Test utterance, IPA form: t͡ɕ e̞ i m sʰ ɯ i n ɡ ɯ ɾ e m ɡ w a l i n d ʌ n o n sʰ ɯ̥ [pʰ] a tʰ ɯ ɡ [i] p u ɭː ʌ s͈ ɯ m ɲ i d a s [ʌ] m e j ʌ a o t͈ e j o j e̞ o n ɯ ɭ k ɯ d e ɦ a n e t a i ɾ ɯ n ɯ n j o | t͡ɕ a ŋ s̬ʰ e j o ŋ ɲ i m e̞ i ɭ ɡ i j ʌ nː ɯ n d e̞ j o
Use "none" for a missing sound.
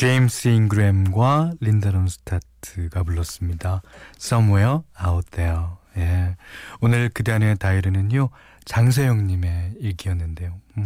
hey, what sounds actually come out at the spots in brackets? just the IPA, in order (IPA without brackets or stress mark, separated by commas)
tʰ, a, ʌ